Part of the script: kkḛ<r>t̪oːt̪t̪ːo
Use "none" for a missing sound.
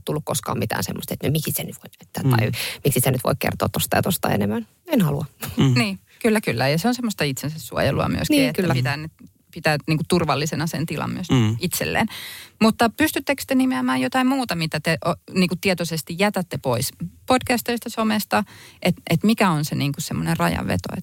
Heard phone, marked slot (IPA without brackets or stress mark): r